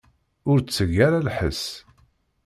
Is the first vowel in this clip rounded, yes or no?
yes